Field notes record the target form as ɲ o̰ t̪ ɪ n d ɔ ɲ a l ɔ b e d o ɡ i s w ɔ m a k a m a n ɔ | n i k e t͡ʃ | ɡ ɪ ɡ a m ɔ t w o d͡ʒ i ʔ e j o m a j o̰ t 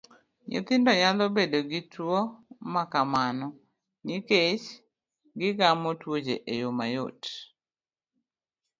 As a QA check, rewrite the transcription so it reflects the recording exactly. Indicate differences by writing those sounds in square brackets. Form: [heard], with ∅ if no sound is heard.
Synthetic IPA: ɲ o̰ t̪ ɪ n d ɔ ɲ a l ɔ b e d o ɡ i [t] w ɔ m a k a m a n ɔ | n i k e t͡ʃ | ɡ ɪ ɡ a m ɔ t w o d͡ʒ [e] ʔ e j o m a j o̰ t